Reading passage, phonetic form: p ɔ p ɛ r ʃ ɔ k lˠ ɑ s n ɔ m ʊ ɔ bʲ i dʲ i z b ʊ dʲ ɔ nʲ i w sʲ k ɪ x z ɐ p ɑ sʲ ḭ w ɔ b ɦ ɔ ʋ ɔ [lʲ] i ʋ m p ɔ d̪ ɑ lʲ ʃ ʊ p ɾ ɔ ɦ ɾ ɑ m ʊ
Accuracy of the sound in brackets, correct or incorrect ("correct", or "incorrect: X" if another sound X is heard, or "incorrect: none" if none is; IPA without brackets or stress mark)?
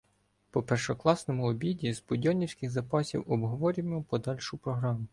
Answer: incorrect: ɾʲ